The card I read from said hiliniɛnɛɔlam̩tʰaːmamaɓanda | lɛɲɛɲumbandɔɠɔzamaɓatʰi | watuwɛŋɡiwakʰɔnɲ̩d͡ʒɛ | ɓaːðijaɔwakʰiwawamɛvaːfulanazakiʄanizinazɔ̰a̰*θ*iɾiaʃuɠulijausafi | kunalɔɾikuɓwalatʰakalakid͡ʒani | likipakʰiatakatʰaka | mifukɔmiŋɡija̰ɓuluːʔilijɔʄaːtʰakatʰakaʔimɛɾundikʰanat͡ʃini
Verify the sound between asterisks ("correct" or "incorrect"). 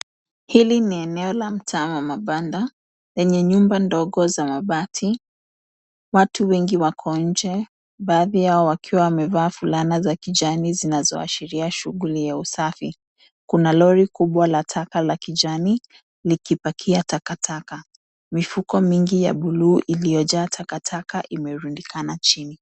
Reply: incorrect